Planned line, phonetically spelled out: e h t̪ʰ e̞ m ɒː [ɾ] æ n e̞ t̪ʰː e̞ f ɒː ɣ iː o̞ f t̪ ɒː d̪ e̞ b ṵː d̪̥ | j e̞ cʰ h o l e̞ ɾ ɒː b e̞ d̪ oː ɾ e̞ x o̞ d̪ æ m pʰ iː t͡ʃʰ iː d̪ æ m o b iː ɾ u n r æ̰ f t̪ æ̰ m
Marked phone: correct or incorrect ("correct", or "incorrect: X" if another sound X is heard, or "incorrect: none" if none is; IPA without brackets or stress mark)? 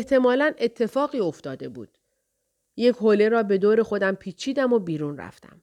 incorrect: l